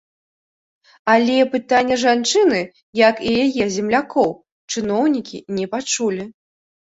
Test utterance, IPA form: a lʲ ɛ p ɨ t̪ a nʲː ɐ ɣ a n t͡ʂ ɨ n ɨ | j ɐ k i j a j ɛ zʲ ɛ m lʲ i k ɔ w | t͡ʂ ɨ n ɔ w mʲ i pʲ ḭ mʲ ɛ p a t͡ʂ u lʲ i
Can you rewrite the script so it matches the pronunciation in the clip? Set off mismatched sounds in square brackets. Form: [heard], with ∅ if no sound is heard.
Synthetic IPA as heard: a lʲ ɛ p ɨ t̪ a nʲː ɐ [ʐ] a n t͡ʂ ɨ n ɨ | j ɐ k i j a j ɛ zʲ ɛ m lʲ [a] k ɔ w | t͡ʂ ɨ n ɔ w [nʲ] i [kʲ] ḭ [nʲ] ɛ p a t͡ʂ u lʲ i